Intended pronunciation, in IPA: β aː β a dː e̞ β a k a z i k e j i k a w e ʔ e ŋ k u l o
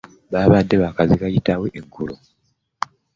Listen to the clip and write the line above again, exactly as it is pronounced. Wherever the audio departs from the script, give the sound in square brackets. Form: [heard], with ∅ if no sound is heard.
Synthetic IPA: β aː β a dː e̞ β a k a z i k [a] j i [t] a w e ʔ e ŋ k u l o